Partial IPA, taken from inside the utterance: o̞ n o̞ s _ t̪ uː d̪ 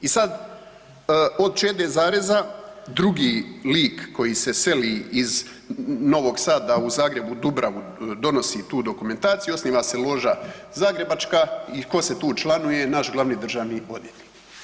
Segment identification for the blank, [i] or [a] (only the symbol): i